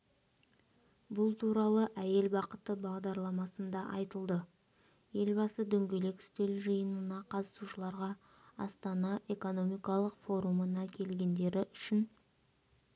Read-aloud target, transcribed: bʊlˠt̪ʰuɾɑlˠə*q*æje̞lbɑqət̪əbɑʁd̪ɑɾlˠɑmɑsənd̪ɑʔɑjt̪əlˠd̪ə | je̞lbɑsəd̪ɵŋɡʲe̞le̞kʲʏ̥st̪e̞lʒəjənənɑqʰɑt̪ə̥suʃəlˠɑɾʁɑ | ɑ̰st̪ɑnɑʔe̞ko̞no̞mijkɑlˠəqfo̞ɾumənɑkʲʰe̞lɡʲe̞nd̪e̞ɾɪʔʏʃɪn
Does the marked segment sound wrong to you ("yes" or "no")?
yes